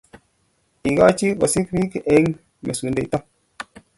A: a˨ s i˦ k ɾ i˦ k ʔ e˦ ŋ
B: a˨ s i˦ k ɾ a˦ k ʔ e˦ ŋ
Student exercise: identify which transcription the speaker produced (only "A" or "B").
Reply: A